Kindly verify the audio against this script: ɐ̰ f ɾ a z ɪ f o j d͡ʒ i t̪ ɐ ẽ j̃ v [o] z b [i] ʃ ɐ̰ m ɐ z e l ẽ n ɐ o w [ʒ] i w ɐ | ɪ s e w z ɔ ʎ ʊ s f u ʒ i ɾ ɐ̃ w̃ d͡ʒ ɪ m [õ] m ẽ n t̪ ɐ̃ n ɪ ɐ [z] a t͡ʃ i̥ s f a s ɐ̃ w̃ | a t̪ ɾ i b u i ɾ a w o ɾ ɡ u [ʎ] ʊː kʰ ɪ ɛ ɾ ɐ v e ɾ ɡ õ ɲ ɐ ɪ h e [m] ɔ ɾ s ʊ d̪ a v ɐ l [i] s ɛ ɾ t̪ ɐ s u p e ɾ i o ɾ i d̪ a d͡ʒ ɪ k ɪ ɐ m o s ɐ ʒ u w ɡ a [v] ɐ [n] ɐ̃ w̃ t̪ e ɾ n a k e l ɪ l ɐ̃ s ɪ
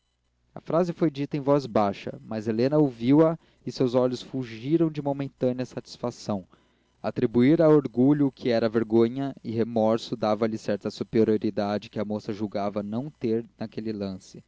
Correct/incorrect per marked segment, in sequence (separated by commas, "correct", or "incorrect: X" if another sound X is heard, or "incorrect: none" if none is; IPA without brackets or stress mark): incorrect: ɔ, incorrect: a, incorrect: v, incorrect: o, incorrect: s, correct, correct, incorrect: ɪ, correct, correct